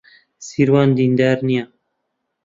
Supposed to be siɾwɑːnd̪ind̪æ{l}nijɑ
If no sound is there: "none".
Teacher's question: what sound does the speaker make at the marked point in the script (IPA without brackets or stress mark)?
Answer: ɾ